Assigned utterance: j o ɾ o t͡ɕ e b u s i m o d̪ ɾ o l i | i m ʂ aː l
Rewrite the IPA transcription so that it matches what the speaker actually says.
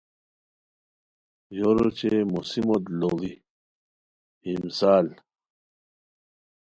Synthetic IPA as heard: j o ɾ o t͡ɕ e m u s i m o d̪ l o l i | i m s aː l